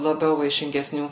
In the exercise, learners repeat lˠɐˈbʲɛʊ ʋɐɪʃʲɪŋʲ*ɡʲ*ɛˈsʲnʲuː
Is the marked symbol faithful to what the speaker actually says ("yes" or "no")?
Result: yes